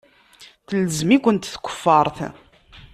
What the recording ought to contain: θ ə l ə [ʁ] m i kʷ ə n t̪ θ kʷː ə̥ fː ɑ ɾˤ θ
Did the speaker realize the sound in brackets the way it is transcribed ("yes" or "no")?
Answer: no